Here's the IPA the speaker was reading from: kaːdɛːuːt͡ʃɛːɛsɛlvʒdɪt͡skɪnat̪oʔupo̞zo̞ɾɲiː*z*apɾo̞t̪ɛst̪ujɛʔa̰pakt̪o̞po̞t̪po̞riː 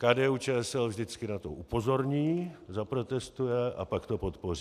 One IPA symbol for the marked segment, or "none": z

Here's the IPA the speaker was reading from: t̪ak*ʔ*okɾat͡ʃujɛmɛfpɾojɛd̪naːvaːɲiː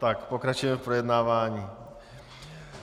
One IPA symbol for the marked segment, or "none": p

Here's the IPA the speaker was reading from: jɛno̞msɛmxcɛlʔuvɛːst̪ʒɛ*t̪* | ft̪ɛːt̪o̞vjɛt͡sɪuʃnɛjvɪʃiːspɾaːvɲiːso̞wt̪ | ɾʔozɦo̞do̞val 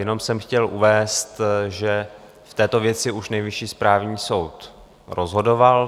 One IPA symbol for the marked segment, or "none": none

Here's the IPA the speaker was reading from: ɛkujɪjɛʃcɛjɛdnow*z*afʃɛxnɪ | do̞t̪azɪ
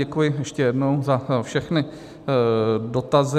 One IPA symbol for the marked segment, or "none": z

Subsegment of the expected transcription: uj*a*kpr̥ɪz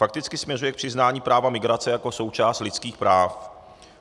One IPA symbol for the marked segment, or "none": ɛ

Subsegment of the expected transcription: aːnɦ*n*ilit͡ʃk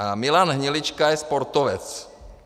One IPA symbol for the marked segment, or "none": ɲ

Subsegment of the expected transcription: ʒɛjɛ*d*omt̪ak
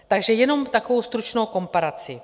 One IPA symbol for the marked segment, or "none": n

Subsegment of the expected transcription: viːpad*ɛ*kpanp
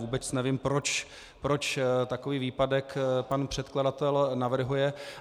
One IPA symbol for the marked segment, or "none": ɛ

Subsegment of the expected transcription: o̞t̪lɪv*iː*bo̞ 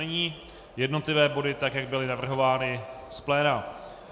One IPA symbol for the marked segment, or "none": ɛː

